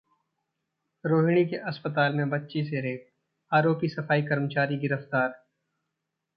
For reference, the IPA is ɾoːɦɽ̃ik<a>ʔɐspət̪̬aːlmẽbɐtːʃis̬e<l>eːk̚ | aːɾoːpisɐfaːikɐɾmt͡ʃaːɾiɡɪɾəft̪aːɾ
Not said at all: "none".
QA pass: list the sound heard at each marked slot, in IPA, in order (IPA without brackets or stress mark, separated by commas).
e, ɾ